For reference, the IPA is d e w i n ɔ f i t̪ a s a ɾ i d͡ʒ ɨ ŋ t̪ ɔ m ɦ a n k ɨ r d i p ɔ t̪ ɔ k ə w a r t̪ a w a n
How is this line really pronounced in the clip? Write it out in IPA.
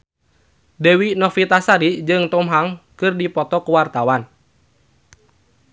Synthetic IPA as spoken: d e w i n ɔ f i t̪ a s a ɾ i d͡ʒ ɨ ŋ t̪ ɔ m ɦ a ŋ k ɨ r d i p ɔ t̪ ɔ k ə w a r t̪ a w a n